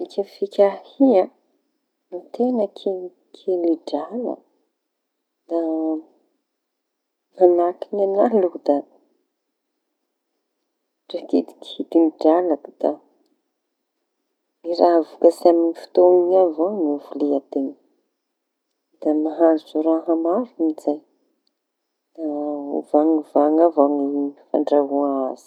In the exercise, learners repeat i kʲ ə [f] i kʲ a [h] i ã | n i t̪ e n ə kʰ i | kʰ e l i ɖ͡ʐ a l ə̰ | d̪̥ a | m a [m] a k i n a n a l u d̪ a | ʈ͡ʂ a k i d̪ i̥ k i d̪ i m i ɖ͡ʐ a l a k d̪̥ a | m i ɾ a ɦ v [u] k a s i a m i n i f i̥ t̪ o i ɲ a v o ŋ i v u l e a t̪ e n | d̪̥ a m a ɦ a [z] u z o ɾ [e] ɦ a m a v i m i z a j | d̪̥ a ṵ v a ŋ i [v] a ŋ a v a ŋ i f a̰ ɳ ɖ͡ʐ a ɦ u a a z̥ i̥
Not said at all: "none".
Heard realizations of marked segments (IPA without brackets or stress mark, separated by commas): f, h, n, u, z, a, v